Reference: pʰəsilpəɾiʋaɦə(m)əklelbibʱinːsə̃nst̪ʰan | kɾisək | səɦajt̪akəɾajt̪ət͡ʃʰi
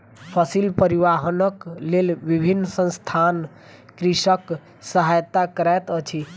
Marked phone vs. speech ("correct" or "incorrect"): incorrect